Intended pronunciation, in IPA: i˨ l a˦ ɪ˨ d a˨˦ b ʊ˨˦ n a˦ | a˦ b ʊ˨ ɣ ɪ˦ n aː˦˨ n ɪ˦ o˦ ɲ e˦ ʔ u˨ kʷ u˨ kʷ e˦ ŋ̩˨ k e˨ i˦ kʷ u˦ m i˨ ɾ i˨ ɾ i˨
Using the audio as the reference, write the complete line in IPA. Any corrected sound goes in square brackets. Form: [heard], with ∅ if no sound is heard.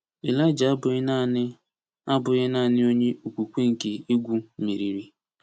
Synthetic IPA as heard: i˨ l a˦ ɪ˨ [d͡ʒ] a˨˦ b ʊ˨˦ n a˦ | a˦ b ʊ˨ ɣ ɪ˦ n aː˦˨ n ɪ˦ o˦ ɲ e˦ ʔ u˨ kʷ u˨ kʷ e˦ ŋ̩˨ k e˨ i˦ [ɡʷ] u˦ m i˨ ɾ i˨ ɾ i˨